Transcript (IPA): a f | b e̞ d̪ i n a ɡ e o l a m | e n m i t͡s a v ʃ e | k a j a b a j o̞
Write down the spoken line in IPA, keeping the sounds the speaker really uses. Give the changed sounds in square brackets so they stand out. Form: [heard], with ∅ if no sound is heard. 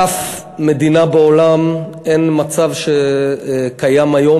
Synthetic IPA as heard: a f | [m] e̞ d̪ i n a [b] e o l a m | e n m [a] t͡s a v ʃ e | k a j a [m] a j o̞